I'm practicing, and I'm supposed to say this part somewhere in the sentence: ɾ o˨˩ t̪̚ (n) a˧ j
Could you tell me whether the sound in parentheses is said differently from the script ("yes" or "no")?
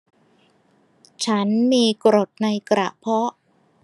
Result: no